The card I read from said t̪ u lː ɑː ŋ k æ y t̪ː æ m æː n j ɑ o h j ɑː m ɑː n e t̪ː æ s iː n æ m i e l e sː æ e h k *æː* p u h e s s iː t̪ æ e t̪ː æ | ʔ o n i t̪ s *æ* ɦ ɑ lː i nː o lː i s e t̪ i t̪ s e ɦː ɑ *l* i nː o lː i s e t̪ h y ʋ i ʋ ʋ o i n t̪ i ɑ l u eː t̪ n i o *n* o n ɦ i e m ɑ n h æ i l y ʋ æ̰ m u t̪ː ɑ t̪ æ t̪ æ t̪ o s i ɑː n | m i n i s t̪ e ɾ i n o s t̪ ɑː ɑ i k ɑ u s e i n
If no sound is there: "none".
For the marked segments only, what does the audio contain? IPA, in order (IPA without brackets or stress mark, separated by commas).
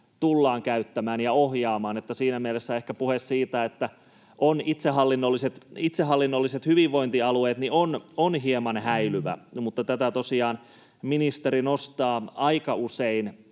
æ, e, lː, n